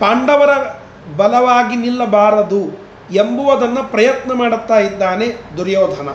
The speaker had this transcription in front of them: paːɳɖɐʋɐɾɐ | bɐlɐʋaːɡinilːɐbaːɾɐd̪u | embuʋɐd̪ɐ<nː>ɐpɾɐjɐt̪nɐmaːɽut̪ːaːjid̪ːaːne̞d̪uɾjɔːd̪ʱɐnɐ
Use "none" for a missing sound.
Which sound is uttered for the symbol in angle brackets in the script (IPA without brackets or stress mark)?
nː